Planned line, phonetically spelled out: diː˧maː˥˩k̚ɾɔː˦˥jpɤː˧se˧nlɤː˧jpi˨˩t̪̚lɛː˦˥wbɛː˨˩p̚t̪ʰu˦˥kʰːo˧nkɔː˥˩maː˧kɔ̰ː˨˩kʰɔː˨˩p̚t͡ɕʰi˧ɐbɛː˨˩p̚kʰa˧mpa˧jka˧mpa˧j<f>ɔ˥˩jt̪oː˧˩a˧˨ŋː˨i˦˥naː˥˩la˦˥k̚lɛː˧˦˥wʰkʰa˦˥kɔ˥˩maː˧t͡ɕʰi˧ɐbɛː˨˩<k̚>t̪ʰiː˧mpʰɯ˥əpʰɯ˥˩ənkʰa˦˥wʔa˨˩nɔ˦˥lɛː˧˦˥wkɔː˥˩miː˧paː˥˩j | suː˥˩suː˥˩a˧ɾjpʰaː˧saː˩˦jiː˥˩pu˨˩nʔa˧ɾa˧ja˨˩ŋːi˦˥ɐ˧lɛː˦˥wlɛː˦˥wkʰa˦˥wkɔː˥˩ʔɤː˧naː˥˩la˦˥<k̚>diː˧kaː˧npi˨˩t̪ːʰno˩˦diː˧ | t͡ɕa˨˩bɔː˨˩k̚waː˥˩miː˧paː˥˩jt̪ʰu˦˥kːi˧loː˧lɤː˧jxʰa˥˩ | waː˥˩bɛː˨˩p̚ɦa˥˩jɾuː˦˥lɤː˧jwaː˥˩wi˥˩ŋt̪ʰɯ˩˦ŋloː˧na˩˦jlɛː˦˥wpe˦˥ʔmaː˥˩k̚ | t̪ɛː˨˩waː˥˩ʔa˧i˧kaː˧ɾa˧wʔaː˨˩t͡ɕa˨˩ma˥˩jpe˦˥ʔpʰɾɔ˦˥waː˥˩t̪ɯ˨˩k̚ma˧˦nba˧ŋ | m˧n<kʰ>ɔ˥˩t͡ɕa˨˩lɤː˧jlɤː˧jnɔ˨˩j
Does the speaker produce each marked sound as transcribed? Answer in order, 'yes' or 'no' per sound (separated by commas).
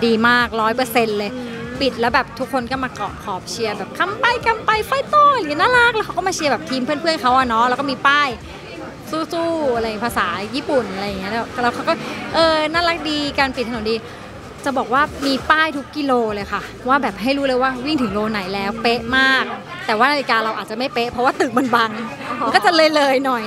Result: yes, no, yes, no